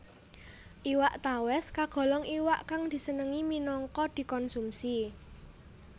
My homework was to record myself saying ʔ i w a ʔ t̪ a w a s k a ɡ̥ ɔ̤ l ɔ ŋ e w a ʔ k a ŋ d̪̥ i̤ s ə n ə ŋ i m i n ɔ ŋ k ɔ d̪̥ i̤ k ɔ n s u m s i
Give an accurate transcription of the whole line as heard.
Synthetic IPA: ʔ i w a ʔ t̪ a w ɛ s k a ɡ̥ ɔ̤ l ɔ ŋ i w a ʔ k a ŋ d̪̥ i̤ s ə n ə ŋ i m i n ɔ ŋ k ɔ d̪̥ i̤ k ɔ n s u m s i